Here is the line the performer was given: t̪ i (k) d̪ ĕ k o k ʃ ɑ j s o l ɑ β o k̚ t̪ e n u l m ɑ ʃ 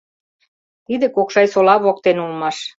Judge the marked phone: incorrect: none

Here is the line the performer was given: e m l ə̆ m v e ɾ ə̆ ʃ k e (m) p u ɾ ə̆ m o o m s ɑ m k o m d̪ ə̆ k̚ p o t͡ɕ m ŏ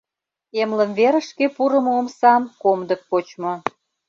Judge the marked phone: incorrect: none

